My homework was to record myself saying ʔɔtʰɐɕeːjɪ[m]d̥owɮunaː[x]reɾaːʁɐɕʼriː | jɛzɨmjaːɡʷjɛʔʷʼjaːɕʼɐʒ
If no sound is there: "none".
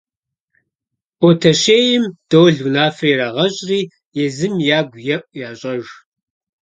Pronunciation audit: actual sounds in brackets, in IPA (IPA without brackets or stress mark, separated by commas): m, f